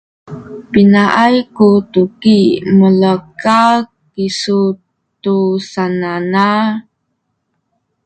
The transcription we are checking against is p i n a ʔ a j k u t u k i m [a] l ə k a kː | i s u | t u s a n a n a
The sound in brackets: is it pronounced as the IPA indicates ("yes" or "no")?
no